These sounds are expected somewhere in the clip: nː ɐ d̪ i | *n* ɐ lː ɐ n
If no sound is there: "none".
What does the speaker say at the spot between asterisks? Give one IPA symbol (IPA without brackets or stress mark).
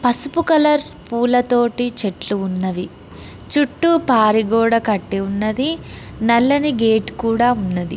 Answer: n